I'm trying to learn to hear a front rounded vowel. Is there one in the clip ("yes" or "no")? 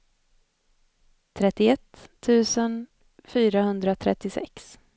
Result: yes